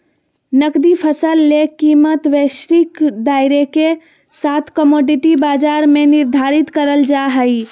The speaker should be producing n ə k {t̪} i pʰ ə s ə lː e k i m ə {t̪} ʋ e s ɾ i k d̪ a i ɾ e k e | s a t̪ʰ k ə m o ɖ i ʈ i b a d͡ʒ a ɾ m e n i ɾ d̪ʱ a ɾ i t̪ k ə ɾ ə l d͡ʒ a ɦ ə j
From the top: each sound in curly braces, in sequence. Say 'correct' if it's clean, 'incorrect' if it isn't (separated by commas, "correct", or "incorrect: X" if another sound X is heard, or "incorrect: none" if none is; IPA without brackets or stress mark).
incorrect: d̪, correct